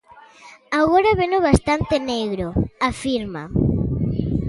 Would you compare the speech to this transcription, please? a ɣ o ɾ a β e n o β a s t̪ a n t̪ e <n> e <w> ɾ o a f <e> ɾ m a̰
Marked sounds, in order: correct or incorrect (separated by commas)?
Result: correct, incorrect, incorrect